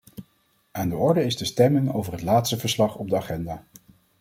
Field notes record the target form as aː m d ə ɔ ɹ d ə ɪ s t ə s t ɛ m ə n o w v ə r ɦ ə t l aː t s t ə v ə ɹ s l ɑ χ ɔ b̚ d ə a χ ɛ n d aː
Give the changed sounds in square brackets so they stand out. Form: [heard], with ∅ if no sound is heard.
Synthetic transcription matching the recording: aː [n] d ə ɔ ɹ d ə ɪ s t ə s t ɛ m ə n o w v ə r ɦ ə t l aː t s t ə v ə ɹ s l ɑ χ ɔ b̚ d ə a χ ɛ n d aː